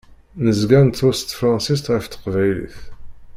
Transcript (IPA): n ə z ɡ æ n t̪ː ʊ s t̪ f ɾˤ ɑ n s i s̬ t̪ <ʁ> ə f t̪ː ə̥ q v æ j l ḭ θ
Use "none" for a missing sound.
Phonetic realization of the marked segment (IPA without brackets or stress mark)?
ʁ